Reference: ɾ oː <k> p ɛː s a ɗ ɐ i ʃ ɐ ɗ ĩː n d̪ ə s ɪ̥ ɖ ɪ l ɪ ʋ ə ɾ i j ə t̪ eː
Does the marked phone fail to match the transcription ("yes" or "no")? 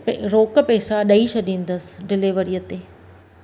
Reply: no